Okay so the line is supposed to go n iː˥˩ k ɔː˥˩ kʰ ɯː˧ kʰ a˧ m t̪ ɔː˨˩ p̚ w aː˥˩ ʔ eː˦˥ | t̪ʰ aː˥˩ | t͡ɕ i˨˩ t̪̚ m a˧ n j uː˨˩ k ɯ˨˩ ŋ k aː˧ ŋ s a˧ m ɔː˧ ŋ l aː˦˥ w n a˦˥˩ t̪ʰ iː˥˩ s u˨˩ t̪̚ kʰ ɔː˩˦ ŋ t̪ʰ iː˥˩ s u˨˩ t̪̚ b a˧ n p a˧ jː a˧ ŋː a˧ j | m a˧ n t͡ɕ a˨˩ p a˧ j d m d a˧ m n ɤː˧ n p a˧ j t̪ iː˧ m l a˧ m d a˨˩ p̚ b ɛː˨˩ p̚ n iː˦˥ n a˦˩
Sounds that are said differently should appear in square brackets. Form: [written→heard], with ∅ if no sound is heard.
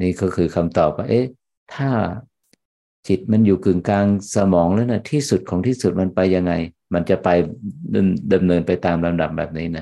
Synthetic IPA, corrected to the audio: n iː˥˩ k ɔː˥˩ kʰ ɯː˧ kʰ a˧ m t̪ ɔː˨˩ p̚ w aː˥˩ ʔ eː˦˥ | t̪ʰ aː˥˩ | t͡ɕ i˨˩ t̪̚ m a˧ n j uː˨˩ k ɯ˨˩ ŋ k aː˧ ŋ s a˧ m [ɔː˧→ɔː˩˦] ŋ l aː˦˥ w n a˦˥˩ t̪ʰ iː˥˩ s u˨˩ t̪̚ kʰ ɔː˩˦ ŋ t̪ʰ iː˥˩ s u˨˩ t̪̚ [b→m] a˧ n p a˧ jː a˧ ŋː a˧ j | m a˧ n t͡ɕ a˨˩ p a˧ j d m d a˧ m n ɤː˧ n p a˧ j t̪ [iː˧→aː˧] m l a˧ m d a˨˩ p̚ b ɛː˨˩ p̚ n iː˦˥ n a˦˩